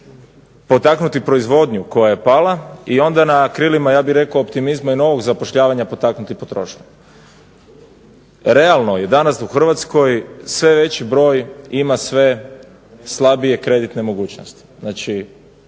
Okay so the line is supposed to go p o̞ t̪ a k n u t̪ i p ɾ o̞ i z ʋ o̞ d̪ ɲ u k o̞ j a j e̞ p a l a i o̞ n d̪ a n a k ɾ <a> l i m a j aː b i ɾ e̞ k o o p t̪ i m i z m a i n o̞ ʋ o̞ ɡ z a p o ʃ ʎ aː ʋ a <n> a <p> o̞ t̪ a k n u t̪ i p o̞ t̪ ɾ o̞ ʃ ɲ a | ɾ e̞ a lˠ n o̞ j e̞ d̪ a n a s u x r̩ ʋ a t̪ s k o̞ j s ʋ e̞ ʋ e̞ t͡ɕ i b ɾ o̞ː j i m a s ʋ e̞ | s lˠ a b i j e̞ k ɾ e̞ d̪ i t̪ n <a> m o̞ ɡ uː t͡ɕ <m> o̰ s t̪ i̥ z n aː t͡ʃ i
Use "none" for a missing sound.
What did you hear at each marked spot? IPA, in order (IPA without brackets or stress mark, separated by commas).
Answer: i, ɲ, p, e, n